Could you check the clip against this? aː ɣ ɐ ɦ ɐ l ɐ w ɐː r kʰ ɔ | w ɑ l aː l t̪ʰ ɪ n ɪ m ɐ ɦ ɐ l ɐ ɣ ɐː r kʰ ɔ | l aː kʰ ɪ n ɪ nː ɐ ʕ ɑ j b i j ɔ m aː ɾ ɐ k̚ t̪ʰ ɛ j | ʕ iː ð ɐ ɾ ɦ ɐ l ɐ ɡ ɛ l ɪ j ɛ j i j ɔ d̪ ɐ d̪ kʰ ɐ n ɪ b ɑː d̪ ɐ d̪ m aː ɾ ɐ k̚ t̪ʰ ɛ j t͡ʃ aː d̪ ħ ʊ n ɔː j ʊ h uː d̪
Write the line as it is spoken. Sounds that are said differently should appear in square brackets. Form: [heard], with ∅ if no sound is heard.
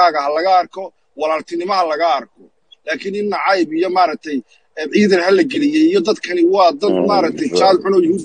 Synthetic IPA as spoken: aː ɣ ɐ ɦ ɐ l ɐ [ɣ] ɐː r kʰ ɔ | w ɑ l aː l t̪ʰ ɪ n ɪ m ɐ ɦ ɐ l ɐ ɣ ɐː r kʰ ɔ | l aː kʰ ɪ n ɪ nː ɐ ʕ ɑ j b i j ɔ m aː ɾ ɐ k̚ t̪ʰ ɛ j | ʕ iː ð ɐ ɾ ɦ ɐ l ɐ ɡ ɛ l ɪ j ɛ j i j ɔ d̪ ɐ d̪ kʰ ɐ n ɪ [w] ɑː d̪ ɐ d̪ m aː ɾ ɐ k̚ t̪ʰ ɛ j t͡ʃ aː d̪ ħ ʊ n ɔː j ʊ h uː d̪